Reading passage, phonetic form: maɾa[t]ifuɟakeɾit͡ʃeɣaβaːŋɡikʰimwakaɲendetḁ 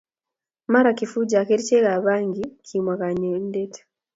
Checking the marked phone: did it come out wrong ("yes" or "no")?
yes